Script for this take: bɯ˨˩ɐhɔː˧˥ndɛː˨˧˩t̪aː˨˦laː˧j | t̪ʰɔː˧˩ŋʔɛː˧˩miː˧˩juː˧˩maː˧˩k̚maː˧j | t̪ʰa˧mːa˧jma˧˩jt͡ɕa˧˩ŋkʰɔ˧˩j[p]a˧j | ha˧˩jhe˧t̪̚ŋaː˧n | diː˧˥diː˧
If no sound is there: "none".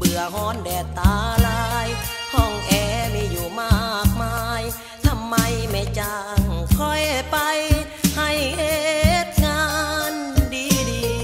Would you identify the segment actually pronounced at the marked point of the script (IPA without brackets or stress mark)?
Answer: p